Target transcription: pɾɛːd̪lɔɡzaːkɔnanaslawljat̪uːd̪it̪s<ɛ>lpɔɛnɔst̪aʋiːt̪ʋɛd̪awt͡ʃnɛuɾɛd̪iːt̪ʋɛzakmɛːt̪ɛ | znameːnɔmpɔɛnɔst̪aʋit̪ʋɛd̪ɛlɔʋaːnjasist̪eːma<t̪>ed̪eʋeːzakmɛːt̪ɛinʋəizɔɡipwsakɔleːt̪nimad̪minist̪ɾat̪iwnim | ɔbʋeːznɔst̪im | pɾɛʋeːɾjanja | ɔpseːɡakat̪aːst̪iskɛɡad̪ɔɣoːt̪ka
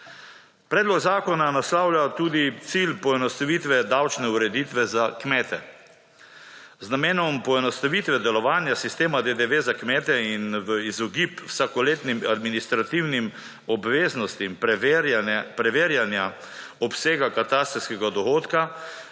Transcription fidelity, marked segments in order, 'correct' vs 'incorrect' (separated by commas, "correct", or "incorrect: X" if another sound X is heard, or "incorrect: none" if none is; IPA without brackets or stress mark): incorrect: i, incorrect: d̪